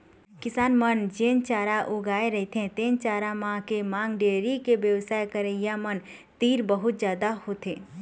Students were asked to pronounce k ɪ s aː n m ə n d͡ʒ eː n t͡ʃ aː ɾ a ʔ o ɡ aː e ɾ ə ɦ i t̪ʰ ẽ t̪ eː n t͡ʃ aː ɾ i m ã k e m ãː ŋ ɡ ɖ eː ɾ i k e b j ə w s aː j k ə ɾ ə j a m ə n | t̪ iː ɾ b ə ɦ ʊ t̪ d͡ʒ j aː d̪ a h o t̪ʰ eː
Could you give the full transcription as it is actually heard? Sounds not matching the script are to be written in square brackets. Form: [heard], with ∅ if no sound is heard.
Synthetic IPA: k ɪ s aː n m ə n d͡ʒ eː n t͡ʃ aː ɾ a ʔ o ɡ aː e ɾ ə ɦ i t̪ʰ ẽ t̪ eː n t͡ʃ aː ɾ [a] m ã k e m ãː ŋ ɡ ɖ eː ɾ i k e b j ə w s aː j k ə ɾ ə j a m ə n | t̪ iː ɾ b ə ɦ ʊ t̪ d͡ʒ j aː d̪ a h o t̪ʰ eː